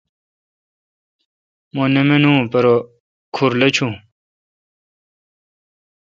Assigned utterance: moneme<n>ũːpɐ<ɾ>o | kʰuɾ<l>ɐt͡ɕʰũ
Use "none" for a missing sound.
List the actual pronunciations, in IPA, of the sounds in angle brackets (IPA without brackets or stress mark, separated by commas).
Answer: n, ɾ, l